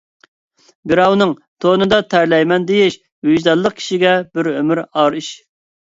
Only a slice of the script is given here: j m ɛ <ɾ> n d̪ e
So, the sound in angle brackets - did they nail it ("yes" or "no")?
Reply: no